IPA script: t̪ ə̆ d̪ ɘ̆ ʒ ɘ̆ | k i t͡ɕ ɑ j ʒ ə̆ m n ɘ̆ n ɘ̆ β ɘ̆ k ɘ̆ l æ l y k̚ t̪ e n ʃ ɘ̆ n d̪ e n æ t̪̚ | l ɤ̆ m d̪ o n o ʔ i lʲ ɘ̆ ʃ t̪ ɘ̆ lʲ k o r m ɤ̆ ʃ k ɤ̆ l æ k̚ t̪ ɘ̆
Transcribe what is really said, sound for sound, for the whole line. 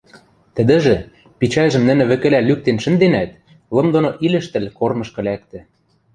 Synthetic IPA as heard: t̪ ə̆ d̪ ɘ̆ ʒ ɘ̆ | p i t͡ɕ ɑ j ʒ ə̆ m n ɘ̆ n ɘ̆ β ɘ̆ k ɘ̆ l æ l y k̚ t̪ e n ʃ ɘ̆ n d̪ e n æ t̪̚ | l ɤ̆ m d̪ o n o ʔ i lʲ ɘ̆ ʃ t̪ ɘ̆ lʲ k o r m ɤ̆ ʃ k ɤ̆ l æ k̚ t̪ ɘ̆

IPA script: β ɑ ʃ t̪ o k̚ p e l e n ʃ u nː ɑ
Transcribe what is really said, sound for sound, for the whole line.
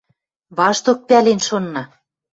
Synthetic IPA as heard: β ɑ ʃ t̪ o k̚ p æ l e n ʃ o nː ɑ

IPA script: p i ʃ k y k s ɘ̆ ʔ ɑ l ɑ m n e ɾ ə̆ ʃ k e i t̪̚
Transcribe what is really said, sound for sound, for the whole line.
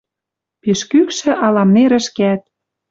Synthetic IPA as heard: p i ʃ k y k ʃ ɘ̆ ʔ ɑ l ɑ m n e ɾ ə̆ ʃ k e æ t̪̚

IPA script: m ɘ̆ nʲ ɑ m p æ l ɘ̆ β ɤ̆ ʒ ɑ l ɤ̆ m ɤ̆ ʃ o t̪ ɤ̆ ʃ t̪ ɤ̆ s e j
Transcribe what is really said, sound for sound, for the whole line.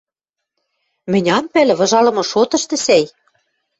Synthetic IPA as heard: m ɘ̆ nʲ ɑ m p æ l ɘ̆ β ɤ̆ ʒ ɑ l ɤ̆ m ɤ̆ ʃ o t̪ ɤ̆ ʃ t̪ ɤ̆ s æ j

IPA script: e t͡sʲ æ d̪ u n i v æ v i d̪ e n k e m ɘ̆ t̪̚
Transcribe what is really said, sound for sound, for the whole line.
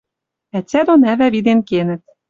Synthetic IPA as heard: æ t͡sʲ æ d̪ o n æ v æ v i d̪ e n k e n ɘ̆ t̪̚

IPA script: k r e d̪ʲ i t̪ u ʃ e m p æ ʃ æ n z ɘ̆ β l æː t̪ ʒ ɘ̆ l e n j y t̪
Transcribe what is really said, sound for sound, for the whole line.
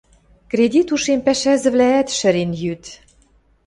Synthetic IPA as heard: k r e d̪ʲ i t̪ u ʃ e m p æ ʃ æ z ɘ̆ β l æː t̪ ʃ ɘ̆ ɾ e n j y t̪

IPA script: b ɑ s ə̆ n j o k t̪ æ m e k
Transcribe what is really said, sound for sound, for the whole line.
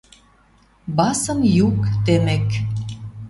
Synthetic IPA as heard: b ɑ s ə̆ m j u k t̪ e m e k

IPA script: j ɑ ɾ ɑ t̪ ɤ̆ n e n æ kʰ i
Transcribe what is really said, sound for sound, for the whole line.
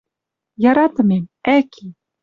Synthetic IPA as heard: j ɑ ɾ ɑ t̪ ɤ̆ m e m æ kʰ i

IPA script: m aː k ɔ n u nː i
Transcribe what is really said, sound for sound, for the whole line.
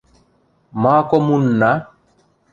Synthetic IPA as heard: m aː k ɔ m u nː a

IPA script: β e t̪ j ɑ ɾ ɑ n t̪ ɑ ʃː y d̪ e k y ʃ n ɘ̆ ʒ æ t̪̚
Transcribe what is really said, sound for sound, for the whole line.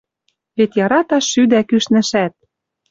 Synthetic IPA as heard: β e t̪ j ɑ ɾ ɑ t̪ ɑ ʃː y d̪ æ k y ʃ n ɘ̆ ʃ æ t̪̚

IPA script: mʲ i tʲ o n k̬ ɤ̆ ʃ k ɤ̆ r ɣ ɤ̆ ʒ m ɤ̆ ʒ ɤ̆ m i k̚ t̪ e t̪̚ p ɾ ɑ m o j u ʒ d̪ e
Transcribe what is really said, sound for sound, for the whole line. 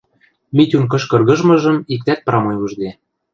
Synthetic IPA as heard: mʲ i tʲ u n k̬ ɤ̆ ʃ k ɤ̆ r ɣ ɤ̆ ʒ m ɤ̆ ʒ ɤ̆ m i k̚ t̪ æ t̪̚ p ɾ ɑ m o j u ʒ d̪ e

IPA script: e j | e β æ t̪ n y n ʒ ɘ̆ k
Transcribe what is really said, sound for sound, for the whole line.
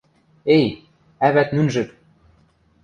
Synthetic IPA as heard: e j | æ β æ t̪ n y n ʒ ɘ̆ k

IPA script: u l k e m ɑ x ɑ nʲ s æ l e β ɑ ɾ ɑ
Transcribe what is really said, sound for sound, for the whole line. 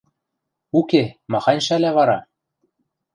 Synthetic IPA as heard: u k e m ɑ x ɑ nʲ ʃ æ l æ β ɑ ɾ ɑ

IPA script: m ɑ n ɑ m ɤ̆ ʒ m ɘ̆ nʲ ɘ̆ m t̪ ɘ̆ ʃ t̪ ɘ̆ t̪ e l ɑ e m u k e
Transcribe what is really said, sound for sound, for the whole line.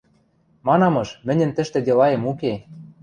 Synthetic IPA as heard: m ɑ n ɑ m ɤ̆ ʃ m ɘ̆ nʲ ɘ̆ n t̪ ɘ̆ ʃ t̪ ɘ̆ d̪ e l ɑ e m u k e

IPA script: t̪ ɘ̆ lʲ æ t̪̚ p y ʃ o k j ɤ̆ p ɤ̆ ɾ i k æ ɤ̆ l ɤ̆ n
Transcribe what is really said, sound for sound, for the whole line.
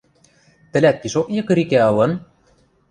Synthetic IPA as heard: t̪ ɘ̆ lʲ æ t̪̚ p i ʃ o k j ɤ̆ k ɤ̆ ɾ i k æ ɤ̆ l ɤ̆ n

